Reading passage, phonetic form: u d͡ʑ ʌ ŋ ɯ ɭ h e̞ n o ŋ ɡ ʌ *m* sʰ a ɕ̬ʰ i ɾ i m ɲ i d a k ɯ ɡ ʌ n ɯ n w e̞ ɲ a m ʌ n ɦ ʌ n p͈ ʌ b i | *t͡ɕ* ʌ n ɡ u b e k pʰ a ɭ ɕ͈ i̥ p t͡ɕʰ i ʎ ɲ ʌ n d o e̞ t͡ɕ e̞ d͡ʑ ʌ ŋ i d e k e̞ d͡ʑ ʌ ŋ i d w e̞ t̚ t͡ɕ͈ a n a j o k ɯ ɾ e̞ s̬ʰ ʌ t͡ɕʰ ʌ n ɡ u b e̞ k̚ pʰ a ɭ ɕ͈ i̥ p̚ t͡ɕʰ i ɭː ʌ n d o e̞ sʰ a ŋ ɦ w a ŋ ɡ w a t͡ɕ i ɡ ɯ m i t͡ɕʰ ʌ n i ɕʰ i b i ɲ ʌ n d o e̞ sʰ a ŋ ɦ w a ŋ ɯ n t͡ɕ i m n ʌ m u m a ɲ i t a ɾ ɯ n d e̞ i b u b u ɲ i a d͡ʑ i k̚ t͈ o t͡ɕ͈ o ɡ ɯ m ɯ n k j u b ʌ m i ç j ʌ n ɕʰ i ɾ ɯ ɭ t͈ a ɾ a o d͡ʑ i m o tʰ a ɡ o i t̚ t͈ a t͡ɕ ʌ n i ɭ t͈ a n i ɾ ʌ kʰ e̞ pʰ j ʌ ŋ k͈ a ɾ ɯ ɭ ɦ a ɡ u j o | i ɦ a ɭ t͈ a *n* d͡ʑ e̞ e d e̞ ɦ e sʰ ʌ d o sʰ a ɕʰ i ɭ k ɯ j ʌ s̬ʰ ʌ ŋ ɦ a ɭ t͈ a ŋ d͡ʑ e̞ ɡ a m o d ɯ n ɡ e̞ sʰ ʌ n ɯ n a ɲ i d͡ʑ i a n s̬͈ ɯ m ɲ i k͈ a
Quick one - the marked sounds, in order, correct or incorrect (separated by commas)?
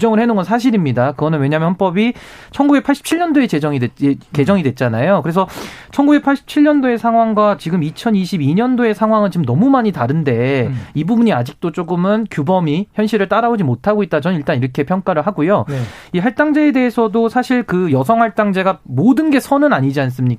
incorrect, incorrect, incorrect